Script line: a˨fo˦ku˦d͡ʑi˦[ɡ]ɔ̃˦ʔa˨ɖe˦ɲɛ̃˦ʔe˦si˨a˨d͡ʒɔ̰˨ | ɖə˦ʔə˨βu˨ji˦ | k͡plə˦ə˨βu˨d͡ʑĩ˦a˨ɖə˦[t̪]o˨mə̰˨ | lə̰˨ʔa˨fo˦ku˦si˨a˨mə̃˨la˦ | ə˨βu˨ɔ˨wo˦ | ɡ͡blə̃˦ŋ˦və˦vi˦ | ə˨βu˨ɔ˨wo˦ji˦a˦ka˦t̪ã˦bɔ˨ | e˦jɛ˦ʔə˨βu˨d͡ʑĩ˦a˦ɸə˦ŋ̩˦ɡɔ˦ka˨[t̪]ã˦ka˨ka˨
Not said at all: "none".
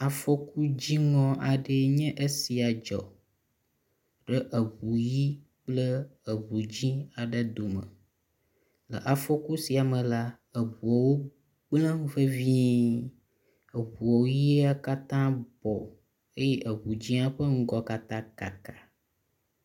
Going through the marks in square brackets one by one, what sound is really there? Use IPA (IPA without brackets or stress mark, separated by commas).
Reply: ŋ, d̪, t̪